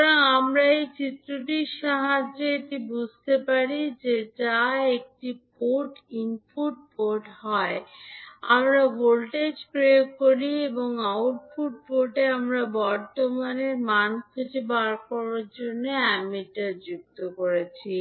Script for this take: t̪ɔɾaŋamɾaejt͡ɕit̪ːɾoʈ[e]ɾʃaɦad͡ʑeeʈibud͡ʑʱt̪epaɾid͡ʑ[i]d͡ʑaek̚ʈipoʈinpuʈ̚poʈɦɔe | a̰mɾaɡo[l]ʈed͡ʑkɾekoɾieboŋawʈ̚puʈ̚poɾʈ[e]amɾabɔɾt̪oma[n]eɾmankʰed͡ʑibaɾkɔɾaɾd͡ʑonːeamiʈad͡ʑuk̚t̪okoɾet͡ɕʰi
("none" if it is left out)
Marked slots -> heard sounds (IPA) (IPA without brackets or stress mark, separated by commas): i, e, l, e, n